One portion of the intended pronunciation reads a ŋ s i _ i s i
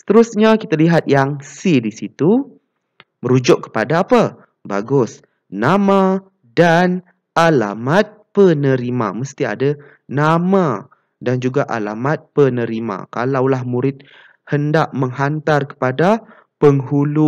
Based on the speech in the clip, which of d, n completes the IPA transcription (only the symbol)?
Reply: d